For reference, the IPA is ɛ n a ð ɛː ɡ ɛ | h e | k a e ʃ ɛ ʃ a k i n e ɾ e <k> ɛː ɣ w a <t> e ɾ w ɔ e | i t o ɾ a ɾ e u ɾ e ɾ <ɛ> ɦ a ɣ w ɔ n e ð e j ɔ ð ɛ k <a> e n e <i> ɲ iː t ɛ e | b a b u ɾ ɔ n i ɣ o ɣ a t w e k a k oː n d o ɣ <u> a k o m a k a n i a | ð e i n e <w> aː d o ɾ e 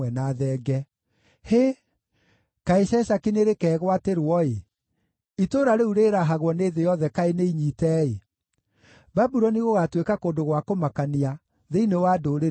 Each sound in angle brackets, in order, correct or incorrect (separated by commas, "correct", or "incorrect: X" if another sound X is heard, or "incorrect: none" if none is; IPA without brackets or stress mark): correct, correct, incorrect: a, correct, correct, incorrect: w, correct